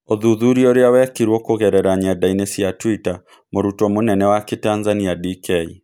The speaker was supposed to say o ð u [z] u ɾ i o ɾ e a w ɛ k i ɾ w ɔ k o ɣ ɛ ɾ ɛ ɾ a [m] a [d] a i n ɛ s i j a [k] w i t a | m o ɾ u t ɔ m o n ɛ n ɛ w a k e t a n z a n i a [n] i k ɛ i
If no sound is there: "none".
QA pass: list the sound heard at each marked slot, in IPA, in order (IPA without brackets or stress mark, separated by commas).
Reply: ð, ɲ, d, t, d